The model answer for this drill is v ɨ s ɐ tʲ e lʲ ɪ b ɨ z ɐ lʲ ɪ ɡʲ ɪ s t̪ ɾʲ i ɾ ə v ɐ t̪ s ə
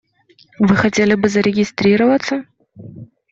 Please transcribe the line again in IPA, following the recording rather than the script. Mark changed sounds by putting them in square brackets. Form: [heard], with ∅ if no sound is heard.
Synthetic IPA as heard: v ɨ [x] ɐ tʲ e lʲ ɪ b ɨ z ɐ [ɾʲ] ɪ ɡʲ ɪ s t̪ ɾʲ i ɾ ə v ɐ t̪ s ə